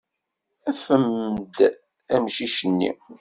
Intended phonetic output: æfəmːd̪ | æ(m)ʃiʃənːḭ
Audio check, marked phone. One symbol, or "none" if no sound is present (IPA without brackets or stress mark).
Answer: m